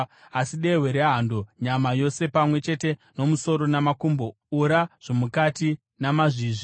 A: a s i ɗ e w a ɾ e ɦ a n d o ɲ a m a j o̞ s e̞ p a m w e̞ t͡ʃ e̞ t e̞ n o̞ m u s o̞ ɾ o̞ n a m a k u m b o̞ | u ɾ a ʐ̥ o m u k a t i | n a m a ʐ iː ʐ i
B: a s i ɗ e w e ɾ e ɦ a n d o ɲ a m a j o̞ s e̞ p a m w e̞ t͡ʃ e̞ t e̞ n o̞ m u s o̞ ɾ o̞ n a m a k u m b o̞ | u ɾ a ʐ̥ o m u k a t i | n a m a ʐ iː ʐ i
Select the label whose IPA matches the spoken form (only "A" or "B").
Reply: B